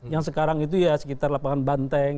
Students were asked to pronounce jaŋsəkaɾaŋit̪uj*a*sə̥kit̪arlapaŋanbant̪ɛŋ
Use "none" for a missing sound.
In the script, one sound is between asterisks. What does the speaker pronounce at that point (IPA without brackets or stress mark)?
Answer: a